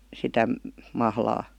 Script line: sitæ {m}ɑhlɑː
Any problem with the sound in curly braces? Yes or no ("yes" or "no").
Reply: no